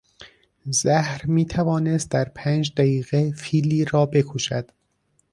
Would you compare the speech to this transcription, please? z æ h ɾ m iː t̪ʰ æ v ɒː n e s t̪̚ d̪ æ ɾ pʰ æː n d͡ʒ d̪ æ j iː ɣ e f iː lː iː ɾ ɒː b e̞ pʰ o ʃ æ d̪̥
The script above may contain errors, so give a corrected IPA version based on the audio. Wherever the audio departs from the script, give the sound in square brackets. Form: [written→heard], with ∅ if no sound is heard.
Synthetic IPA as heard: z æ h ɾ m iː t̪ʰ æ v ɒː n e s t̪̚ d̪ æ ɾ pʰ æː n d͡ʒ d̪ æ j iː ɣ e f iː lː iː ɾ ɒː b e̞ [pʰ→kʰ] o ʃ æ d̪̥